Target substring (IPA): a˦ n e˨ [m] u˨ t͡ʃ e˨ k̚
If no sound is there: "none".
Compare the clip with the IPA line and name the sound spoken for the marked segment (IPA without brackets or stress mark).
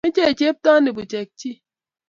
b